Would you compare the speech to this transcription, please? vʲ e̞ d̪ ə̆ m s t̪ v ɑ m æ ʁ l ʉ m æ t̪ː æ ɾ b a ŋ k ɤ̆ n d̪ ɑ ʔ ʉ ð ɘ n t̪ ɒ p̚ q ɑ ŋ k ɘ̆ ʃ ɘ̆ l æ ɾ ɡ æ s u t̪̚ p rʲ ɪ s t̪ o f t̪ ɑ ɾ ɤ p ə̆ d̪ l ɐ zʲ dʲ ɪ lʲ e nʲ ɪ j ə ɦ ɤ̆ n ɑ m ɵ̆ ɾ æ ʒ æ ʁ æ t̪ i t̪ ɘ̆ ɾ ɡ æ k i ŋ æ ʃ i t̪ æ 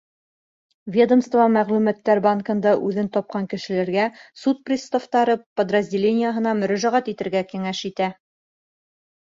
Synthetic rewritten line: vʲ e̞ d̪ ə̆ m s t̪ v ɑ m æ ʁ l ʉ m æ t̪ː æ ɾ b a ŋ k ɤ̆ n d̪ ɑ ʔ ʉ ð ɘ n t̪ ɒ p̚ q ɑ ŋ k ɘ̆ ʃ ɘ̆ l æ ɾ ɡ æ s u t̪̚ p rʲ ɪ s t̪ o f t̪ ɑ ɾ ɤ p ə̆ d̪ r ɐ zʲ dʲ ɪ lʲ e nʲ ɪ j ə ɦ ɤ̆ n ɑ m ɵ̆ ɾ æ ʒ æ ʁ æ t̪ i t̪ ɘ̆ ɾ ɡ æ k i ŋ æ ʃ i t̪ æ